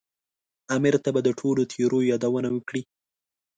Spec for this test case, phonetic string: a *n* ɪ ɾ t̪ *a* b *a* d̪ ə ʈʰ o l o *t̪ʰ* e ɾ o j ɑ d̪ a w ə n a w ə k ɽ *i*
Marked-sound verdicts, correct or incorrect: incorrect: m, correct, correct, correct, correct

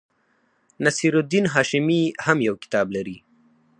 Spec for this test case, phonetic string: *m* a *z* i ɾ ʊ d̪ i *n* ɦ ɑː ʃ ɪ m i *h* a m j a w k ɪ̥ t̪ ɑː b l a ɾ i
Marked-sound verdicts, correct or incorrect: incorrect: n, incorrect: s, correct, correct

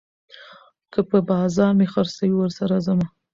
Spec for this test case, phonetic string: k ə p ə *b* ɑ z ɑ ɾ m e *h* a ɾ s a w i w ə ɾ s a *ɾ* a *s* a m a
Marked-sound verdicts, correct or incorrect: correct, incorrect: x, correct, incorrect: z

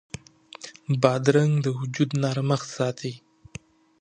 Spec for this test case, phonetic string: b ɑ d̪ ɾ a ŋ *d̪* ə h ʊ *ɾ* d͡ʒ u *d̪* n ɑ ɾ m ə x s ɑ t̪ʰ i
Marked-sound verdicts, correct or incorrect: correct, incorrect: none, correct

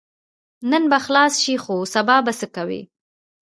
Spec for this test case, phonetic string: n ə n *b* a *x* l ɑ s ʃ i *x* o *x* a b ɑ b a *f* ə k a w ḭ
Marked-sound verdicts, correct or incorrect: correct, correct, correct, incorrect: s, incorrect: s

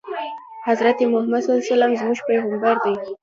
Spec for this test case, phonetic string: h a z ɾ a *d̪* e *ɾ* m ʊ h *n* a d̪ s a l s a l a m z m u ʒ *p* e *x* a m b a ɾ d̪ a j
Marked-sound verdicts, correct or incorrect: incorrect: t̪, incorrect: none, incorrect: m, correct, incorrect: ɣ

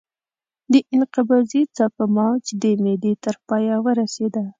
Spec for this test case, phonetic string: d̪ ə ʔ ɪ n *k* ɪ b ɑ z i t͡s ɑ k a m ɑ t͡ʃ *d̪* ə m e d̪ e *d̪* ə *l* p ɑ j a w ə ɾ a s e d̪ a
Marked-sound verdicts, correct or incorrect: incorrect: q, correct, incorrect: t̪, incorrect: ɾ

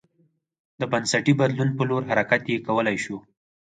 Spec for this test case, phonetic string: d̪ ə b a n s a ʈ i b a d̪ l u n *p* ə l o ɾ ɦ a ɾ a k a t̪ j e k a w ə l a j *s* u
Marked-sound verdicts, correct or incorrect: correct, incorrect: ʃ

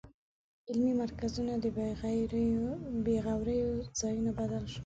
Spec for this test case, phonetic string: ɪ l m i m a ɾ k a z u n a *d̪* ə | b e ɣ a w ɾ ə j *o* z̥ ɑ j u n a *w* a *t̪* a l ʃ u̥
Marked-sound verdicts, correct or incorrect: correct, correct, incorrect: b, incorrect: d̪

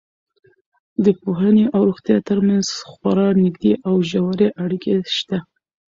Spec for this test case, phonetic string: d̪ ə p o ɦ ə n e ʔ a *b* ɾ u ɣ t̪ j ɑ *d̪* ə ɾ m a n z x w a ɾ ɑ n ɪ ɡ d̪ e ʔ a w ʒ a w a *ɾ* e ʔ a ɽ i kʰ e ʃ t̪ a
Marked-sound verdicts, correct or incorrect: incorrect: w, incorrect: t̪, correct

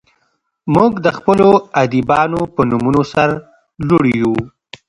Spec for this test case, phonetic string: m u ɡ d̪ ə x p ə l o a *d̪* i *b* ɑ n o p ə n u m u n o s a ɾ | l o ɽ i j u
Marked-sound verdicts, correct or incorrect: correct, correct

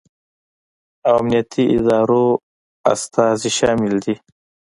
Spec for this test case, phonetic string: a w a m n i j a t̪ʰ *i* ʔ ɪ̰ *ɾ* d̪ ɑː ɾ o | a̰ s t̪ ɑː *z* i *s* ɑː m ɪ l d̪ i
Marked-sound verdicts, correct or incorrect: correct, incorrect: none, correct, incorrect: ʃ

